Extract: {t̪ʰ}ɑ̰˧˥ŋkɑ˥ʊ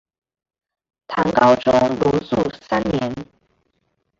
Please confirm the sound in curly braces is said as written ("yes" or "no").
yes